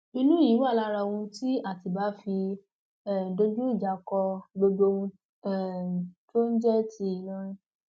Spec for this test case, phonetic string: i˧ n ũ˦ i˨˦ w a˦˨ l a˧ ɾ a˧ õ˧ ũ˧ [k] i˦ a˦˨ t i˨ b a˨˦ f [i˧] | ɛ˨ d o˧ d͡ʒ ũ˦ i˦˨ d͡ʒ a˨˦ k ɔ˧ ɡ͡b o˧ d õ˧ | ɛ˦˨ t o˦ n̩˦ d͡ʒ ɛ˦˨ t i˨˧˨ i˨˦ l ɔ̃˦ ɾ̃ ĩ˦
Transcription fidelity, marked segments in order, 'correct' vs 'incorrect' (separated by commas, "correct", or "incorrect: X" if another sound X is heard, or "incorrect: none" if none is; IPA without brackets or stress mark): incorrect: t, correct